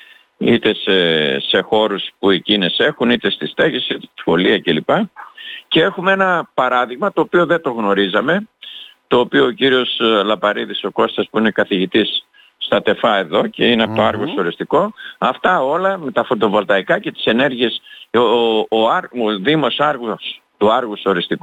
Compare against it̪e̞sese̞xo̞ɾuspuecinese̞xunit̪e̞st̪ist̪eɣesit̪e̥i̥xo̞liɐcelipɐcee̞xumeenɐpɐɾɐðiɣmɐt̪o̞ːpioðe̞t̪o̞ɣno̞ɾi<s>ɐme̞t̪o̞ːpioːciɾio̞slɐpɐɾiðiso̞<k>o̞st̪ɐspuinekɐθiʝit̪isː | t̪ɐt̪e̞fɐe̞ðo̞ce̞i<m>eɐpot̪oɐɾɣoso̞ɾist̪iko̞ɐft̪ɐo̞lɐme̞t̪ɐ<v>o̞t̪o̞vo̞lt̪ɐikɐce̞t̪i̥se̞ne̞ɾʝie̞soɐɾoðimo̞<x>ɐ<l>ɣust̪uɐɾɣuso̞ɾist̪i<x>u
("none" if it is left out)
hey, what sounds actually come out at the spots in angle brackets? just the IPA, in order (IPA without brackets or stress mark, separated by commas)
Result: z, k, n, f, s, ɾ, k